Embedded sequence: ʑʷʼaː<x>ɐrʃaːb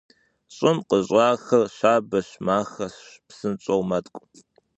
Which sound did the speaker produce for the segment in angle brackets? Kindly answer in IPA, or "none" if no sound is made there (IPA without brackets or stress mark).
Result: x